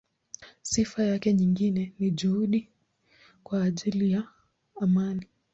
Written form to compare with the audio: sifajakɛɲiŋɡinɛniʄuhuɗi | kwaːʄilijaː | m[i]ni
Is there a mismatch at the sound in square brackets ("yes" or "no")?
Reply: yes